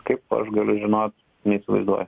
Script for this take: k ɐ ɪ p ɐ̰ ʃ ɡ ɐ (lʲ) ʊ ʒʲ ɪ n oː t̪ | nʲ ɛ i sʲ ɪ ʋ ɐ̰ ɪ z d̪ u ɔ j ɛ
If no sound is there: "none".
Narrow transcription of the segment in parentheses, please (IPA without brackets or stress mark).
lʲ